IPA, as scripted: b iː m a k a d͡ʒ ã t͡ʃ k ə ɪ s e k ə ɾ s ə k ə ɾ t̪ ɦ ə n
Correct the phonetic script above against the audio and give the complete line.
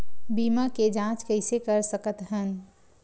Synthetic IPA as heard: b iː m a k e d͡ʒ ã t͡ʃ k ə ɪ s e k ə ɾ s ə k ə t̪ ɦ ə n